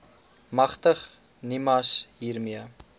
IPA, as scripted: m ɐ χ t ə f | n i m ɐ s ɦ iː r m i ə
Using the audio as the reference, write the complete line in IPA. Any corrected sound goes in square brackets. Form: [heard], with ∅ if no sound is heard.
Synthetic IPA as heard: m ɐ χ t ə [χ] | n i m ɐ s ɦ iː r m i ə